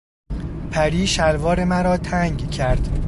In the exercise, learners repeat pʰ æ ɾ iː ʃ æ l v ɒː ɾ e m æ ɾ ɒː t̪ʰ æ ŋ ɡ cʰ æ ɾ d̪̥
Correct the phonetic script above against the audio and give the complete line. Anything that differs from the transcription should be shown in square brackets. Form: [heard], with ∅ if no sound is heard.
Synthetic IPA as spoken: pʰ æ ɾ iː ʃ æ l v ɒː ɾ e m æ ɾ ɒː t̪ʰ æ ŋ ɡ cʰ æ ɾ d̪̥